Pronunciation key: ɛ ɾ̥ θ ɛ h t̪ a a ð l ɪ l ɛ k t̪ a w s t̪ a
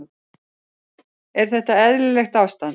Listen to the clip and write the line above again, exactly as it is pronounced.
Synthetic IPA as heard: ɛ ɾ̥ θ ɛ h t̪ a ɛ ð l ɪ l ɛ x t̪ a w s t̪ a